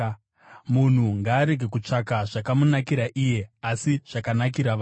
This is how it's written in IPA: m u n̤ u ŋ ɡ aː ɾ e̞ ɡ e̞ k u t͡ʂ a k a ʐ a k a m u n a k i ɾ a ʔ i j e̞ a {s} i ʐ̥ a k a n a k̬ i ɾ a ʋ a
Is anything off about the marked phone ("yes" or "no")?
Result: no